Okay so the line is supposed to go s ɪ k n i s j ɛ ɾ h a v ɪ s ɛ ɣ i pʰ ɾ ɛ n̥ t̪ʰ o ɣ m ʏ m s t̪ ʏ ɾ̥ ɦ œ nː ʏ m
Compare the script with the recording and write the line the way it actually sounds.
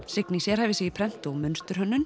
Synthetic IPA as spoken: s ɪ k n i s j ɛ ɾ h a v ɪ s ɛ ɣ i pʰ ɾ ɛ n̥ t̪ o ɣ m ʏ n s t̪ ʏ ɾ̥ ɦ œ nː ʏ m